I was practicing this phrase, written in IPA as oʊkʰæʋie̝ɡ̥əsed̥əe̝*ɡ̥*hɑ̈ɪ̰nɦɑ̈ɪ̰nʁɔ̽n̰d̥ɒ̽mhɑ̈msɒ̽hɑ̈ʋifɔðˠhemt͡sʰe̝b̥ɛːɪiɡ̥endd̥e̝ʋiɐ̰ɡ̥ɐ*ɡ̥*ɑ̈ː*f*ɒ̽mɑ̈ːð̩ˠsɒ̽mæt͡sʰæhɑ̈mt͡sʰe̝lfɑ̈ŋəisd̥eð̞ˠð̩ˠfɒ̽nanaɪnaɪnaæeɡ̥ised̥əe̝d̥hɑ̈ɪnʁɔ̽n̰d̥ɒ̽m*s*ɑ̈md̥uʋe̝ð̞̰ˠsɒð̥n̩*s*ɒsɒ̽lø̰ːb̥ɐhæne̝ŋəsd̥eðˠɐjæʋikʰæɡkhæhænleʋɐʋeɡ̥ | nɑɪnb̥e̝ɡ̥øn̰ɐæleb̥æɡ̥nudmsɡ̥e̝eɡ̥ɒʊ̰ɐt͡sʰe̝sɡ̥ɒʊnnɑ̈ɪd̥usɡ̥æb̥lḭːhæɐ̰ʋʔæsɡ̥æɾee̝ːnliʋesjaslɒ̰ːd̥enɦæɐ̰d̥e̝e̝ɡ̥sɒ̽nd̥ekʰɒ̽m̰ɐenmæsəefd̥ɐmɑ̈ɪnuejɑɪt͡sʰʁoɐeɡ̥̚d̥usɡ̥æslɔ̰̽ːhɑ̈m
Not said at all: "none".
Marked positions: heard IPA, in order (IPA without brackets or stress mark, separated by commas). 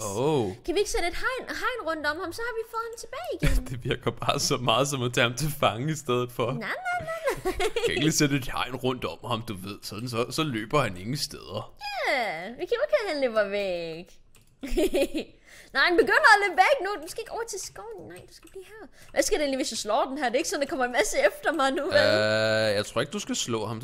d̥, b̥, s, h, s